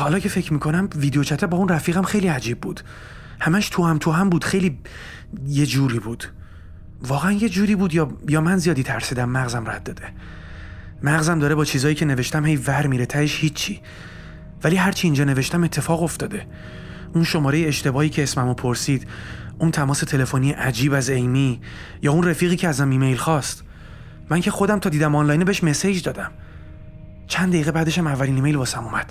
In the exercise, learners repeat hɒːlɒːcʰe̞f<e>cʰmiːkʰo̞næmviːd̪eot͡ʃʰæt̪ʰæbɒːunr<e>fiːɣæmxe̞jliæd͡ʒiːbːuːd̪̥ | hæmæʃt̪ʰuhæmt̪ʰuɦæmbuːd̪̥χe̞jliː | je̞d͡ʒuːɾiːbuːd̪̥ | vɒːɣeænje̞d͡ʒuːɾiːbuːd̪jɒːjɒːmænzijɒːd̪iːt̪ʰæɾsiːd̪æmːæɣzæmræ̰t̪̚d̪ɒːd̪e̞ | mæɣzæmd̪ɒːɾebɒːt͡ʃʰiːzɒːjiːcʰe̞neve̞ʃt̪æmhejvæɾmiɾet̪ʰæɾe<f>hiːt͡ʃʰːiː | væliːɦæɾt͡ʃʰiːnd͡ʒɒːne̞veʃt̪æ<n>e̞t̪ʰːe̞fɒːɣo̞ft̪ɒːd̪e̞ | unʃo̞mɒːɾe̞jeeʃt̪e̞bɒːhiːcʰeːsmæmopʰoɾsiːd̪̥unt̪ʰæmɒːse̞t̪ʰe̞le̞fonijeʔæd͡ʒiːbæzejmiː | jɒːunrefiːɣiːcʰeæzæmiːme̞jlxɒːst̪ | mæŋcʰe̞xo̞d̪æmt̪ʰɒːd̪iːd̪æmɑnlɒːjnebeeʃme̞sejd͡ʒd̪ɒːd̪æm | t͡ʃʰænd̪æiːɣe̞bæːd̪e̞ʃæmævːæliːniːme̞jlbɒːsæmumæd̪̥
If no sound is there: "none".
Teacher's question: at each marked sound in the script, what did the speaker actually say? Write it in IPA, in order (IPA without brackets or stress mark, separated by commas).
e, æ, ʃ, m